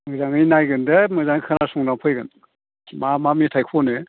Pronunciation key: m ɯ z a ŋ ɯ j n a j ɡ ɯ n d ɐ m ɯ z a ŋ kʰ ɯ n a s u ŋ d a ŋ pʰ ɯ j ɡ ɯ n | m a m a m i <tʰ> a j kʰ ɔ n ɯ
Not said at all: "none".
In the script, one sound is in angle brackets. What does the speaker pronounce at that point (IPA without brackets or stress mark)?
tʰ